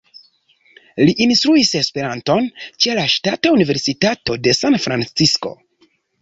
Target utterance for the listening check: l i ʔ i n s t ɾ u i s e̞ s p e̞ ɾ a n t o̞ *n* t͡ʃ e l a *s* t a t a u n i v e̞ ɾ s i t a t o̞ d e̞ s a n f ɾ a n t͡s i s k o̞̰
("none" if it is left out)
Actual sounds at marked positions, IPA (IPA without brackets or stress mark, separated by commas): n, ʃ